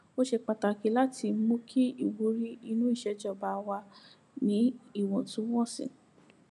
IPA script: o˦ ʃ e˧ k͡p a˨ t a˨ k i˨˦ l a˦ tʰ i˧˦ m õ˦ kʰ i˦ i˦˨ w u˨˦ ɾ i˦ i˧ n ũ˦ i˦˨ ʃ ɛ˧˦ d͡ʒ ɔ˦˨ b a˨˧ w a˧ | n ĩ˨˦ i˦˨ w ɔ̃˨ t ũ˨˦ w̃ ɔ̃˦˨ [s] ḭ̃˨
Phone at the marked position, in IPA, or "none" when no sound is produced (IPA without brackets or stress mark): s